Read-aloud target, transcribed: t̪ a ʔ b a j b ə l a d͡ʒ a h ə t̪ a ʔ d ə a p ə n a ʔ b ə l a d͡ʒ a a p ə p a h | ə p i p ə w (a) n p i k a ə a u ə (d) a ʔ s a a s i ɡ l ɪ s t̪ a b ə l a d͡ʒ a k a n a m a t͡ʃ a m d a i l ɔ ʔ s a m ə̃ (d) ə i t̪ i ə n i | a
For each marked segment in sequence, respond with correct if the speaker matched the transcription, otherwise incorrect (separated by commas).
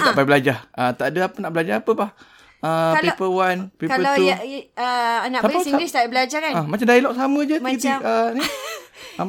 correct, incorrect, incorrect